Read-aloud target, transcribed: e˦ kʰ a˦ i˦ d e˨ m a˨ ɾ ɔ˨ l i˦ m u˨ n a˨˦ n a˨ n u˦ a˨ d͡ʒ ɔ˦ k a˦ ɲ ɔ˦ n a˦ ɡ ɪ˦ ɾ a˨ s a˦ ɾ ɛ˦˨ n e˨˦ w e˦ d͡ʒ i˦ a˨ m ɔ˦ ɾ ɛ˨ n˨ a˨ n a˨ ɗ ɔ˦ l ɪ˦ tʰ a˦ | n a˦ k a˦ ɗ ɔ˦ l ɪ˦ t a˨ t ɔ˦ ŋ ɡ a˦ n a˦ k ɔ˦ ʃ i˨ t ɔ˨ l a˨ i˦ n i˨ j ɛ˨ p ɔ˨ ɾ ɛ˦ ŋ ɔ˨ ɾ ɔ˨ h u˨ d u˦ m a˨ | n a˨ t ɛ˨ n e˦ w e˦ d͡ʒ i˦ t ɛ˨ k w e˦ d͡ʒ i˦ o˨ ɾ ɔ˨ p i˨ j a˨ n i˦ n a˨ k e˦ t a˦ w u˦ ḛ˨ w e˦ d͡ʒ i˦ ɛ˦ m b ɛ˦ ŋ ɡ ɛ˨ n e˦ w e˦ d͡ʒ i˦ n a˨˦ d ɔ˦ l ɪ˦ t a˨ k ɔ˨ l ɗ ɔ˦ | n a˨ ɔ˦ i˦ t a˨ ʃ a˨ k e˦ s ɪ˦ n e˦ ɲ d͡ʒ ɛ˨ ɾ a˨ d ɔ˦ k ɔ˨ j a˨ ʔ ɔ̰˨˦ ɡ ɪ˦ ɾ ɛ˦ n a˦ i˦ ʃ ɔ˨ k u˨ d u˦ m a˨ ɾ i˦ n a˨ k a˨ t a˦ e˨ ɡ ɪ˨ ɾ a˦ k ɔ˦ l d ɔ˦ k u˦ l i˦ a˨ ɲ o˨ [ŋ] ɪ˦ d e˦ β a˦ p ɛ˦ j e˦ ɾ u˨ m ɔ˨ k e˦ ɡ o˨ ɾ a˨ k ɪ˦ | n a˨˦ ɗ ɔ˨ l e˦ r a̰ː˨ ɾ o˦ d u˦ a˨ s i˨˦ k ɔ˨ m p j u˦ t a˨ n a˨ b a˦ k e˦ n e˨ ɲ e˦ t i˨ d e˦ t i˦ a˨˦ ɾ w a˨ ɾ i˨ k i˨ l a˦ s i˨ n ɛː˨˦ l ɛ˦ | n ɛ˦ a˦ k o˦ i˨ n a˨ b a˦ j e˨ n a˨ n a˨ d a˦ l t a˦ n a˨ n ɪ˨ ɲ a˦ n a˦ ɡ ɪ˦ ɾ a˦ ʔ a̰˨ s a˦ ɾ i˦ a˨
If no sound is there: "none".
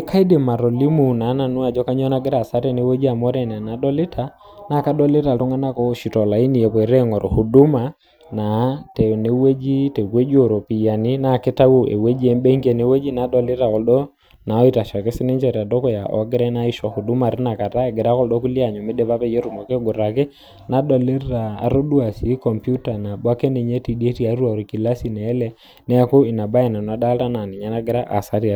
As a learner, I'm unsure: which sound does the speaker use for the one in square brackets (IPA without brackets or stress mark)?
m